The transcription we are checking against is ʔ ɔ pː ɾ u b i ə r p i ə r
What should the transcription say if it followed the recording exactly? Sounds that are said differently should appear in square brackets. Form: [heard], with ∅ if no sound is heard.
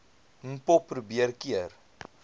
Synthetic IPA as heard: [p] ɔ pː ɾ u b i ə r [k] i ə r